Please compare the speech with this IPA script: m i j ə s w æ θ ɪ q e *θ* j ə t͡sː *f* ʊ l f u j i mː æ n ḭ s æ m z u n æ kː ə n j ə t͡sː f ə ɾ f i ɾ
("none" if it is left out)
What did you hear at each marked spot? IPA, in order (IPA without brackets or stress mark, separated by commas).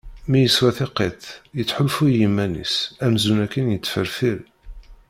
θ, ħ